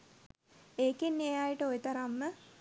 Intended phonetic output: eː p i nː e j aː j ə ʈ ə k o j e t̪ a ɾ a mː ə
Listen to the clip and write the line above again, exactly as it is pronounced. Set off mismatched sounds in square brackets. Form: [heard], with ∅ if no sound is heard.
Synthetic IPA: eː [k] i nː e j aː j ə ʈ ə [∅] o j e t̪ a ɾ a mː ə